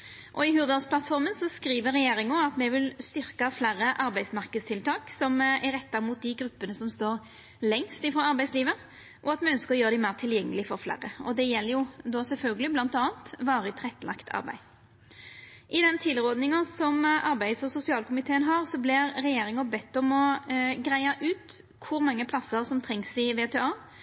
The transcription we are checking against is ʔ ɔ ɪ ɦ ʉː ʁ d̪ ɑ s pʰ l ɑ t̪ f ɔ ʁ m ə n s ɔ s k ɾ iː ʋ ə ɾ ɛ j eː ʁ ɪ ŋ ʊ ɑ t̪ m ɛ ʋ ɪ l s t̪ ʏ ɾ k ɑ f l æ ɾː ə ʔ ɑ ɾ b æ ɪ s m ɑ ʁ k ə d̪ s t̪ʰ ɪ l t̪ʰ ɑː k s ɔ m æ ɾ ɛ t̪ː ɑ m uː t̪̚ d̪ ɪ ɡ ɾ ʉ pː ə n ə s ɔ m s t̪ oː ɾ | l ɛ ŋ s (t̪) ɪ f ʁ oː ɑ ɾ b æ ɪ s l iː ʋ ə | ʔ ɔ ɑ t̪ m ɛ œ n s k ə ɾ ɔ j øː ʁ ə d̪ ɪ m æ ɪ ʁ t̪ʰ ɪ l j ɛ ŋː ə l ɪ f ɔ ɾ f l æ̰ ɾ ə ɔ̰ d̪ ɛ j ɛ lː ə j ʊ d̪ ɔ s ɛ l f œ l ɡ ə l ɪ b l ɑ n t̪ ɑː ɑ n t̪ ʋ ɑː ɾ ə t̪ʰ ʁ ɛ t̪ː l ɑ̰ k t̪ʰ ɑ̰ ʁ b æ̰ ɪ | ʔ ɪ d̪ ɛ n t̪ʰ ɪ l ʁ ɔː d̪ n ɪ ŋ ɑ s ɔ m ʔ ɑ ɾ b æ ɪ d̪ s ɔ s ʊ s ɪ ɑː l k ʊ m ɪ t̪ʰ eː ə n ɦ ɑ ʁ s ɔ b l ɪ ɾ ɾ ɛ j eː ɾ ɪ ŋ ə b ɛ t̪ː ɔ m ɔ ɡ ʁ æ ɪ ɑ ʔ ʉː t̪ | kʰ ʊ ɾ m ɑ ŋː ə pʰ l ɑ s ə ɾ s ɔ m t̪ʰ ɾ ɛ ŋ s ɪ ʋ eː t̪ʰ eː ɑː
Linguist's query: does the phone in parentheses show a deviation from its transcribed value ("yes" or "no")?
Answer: no